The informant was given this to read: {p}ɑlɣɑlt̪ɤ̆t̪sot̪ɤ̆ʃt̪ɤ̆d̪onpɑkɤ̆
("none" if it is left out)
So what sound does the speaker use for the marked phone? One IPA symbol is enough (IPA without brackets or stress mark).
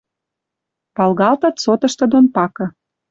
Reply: p